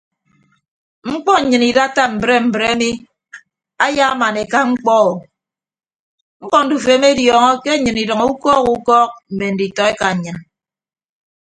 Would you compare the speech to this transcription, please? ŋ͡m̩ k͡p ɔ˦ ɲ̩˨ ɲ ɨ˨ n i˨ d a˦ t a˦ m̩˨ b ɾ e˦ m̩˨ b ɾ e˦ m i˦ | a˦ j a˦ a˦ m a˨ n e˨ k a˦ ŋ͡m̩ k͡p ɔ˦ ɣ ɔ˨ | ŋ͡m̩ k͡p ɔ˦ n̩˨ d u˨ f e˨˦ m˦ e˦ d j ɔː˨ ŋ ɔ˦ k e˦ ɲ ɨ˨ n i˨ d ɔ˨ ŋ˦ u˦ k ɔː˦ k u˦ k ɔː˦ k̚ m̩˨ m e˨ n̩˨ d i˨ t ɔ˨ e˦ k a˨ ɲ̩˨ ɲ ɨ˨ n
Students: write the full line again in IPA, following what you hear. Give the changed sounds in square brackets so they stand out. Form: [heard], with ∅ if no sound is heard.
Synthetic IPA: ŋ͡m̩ k͡p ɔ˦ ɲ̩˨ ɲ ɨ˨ n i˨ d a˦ t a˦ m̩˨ b ɾ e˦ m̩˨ b ɾ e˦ m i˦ | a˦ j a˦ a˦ m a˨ n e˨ k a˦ ŋ͡m̩ k͡p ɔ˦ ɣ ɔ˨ | ŋ͡m̩ k͡p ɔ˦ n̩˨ d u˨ f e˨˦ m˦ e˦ d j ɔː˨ ŋ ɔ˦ k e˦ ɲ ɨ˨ n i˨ d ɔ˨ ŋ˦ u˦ k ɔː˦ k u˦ k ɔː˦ k̚ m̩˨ m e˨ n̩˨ d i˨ t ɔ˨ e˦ k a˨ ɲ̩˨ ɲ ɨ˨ n